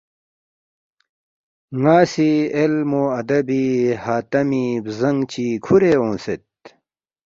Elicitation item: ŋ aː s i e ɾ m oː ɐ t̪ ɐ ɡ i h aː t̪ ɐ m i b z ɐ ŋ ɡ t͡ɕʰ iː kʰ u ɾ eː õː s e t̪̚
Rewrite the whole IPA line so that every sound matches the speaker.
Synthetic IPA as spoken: ŋ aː s i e l m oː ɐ d̪ ɐ b i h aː t̪ ɐ m i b z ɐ ŋ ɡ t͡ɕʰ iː kʰ u ɾ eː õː s e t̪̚